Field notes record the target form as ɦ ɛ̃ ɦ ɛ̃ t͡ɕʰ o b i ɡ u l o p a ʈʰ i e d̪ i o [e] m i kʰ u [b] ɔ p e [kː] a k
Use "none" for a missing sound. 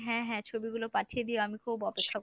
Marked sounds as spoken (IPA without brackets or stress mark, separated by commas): a, b, kʰː